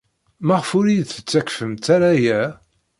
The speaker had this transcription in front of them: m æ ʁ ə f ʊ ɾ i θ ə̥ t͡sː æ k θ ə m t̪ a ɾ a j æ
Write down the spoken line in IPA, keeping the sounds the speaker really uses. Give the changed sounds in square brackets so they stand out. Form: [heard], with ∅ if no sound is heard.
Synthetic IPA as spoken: m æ ʁ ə f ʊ ɾ i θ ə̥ t͡sː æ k [f] ə m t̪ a ɾ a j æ